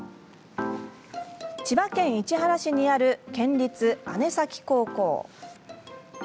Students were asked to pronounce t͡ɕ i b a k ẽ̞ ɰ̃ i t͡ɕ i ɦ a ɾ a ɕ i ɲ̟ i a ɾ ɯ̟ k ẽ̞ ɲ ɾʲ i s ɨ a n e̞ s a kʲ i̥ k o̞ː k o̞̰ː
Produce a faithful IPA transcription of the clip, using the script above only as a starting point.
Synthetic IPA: t͡ɕ i b a k ẽ̞ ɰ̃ i t͡ɕ i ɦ a ɾ a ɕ i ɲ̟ i a ɾ ɯ̟ k ẽ̞ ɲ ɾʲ i t͡s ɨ a n e̞ s a kʲ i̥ k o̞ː k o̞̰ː